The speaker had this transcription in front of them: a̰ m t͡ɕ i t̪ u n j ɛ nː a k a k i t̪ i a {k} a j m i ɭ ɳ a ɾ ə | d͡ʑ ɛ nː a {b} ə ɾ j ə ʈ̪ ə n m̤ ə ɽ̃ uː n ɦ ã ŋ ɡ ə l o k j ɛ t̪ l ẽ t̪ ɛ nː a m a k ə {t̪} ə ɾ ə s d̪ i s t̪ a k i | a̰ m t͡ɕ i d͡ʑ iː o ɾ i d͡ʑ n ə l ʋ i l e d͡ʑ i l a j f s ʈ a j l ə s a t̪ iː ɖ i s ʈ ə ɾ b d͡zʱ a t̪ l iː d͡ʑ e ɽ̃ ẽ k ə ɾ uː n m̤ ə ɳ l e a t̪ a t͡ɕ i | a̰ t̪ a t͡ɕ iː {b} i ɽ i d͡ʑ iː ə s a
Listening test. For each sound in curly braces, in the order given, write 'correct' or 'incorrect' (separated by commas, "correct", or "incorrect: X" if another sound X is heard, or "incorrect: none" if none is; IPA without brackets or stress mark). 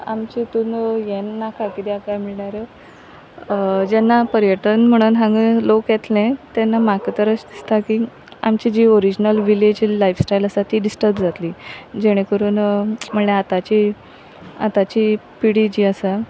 correct, incorrect: p, correct, incorrect: p